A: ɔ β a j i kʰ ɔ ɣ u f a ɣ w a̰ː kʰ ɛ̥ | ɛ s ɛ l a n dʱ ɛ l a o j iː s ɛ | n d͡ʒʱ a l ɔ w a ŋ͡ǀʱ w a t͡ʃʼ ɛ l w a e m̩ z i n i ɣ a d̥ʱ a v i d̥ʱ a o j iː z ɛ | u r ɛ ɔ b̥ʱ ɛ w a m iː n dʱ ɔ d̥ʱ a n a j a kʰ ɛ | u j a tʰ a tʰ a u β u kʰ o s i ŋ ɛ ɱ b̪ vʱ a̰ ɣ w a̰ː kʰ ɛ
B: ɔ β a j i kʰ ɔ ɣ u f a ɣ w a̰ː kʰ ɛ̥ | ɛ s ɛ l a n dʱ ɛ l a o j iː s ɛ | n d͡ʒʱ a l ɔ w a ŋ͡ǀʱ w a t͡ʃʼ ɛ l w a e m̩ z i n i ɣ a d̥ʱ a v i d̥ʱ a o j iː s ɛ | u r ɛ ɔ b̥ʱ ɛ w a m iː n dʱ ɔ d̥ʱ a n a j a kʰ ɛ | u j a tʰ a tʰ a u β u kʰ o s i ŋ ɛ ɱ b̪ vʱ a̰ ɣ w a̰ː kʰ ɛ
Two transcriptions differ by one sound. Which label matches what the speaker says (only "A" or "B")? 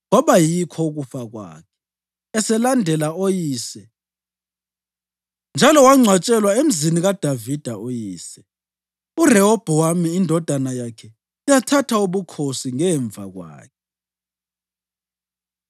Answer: B